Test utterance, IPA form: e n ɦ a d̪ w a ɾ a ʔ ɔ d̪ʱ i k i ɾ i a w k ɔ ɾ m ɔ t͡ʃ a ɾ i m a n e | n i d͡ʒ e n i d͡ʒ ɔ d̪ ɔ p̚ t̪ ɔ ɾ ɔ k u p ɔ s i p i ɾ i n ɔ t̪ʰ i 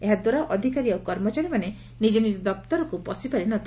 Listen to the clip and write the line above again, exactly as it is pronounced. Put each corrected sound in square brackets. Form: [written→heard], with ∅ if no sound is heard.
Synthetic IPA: e [n→∅] ɦ a d̪ w a ɾ a ʔ ɔ d̪ʱ i k [i→a] ɾ i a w k ɔ ɾ m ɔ t͡ʃ a ɾ i m a n e | n i d͡ʒ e n i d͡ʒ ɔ d̪ ɔ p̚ t̪ ɔ ɾ ɔ k u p ɔ s i p [i→a] ɾ i n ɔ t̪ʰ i